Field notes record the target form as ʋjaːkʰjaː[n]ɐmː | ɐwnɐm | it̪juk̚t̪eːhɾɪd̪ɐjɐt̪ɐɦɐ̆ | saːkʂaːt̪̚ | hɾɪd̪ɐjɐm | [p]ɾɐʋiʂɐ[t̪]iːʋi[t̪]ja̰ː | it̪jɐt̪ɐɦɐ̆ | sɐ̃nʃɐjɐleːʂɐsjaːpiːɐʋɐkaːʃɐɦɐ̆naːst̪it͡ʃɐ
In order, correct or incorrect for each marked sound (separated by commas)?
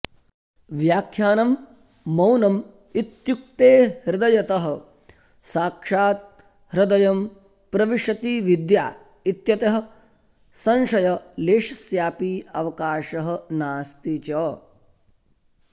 correct, correct, correct, incorrect